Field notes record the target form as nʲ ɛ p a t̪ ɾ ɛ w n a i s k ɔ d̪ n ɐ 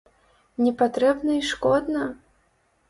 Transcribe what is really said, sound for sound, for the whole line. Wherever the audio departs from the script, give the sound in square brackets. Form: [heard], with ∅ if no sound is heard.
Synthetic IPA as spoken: nʲ ɛ p a t̪ ɾ ɛ [b] n [ɐ] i [ʂ] k ɔ d̪ n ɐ